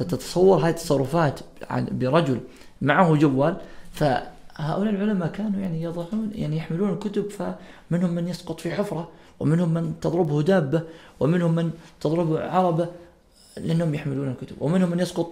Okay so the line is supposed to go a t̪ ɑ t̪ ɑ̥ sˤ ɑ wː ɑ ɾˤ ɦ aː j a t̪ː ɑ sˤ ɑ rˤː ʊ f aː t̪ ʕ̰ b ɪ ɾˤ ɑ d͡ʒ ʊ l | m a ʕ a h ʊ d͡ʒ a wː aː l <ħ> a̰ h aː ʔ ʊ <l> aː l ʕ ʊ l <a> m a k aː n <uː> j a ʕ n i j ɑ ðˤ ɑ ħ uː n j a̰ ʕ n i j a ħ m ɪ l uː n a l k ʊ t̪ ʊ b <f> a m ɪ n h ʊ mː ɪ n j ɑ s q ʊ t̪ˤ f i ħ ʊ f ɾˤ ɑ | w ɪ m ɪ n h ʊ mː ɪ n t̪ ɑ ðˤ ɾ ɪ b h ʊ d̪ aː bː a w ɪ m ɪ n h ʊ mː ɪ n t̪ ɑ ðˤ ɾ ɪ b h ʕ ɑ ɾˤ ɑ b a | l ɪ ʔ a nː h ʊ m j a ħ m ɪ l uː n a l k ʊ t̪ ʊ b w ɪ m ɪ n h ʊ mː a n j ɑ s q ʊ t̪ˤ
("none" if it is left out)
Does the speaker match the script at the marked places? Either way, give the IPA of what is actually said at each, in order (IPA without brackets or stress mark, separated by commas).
f, l, a, u, f